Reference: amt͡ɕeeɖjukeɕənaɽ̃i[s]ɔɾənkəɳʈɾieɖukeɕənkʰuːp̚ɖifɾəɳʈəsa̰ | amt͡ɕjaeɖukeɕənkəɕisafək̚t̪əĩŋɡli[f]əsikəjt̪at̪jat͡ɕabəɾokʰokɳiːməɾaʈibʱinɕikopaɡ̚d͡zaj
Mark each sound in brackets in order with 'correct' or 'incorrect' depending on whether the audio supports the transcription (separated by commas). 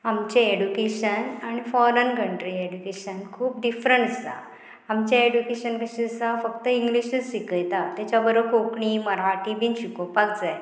incorrect, incorrect